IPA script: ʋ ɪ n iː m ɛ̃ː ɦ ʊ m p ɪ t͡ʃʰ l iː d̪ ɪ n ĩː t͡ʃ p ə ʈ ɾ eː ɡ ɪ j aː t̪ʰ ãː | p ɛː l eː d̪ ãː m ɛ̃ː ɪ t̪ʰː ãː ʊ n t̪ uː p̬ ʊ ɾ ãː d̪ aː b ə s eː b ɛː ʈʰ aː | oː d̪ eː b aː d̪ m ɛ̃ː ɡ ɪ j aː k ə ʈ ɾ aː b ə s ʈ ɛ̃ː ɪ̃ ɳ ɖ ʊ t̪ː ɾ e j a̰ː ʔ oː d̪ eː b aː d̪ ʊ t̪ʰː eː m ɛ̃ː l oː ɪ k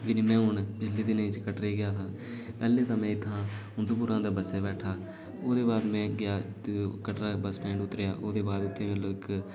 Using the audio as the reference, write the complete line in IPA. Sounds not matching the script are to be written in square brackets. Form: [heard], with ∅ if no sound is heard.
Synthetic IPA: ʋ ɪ n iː m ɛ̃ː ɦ ʊ [ɳ] p ɪ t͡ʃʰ l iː d̪ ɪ n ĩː t͡ʃ [k] ə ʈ ɾ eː ɡ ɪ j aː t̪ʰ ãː | p ɛː l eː [t̪] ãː m ɛ̃ː ɪ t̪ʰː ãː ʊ n [d̪] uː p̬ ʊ ɾ ãː d̪ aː b ə s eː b ɛː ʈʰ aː | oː d̪ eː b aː d̪ m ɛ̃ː ɡ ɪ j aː k ə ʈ ɾ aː b ə s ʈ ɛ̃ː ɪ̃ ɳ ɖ ʊ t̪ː ɾ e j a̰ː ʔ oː d̪ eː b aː d̪ ʊ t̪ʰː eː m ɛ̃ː l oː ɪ k